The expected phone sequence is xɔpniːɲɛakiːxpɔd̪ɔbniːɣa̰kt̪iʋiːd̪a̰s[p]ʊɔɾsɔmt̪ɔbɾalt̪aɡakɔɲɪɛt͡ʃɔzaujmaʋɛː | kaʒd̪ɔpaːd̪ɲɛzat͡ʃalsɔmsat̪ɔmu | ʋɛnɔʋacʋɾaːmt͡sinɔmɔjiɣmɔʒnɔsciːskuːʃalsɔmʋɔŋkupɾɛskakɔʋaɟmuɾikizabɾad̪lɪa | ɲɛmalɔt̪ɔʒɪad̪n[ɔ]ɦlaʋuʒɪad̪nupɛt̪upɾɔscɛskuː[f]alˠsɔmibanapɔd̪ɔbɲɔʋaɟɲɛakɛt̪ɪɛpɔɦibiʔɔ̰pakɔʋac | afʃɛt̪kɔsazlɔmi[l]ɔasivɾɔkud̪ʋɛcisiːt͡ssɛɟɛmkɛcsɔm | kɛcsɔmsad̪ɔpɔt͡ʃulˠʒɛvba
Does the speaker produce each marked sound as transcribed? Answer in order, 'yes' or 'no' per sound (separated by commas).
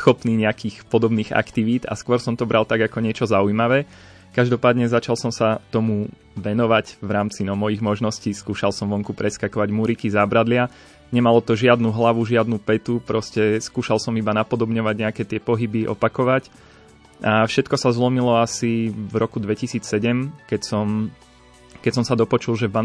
no, no, no, yes